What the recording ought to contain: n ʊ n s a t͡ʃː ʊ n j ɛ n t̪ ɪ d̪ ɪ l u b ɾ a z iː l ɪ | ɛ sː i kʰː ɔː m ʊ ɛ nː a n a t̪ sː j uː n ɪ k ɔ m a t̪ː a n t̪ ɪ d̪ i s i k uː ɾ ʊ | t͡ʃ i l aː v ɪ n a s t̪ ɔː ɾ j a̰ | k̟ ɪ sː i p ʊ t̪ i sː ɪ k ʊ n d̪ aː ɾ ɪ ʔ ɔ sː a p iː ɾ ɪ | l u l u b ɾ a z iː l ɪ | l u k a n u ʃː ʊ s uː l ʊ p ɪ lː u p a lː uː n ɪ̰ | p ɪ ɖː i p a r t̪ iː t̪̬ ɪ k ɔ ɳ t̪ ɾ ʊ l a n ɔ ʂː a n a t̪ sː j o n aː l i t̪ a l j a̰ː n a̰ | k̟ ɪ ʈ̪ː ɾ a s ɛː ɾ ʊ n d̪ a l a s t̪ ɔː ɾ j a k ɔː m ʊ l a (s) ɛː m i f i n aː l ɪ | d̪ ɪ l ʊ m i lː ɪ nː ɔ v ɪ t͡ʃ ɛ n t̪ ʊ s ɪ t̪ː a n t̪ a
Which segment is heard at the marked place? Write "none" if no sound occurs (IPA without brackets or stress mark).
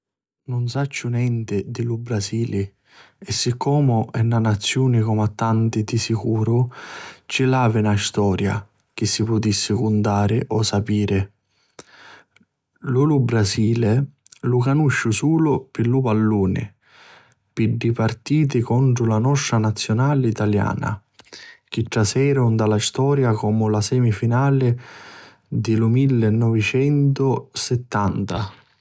s